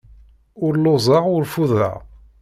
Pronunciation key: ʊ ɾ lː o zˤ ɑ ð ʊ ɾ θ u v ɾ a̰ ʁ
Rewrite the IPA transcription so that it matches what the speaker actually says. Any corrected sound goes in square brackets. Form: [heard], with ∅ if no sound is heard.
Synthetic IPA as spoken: ʊ ɾ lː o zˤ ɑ [ʁ] ʊ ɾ [f] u [ð] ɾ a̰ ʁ